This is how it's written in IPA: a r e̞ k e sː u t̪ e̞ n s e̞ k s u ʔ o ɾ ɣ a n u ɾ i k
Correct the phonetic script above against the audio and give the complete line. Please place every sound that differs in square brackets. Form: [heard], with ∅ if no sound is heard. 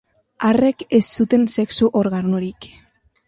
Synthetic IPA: a r e̞ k e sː u t̪ e̞ n s e̞ k s u ʔ o ɾ ɣ a n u ɾ i k